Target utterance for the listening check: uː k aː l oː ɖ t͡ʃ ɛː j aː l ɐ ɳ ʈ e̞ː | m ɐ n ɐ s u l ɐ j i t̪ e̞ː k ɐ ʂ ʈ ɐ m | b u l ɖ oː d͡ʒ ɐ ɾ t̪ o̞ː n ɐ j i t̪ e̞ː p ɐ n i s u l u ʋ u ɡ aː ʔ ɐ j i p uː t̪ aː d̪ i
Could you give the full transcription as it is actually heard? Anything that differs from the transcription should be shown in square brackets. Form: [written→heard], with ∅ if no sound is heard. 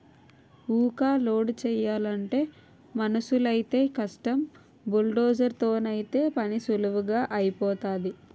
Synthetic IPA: uː k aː l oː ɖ t͡ʃ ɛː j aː l ɐ ɳ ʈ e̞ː | m ɐ n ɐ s u l ɐ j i t̪ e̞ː k ɐ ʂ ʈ ɐ m | b u l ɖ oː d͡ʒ ɐ ɾ t̪ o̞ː n ɐ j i t̪ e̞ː p ɐ n i s u l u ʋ u ɡ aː ʔ ɐ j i p [uː→ɔː] t̪ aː d̪ i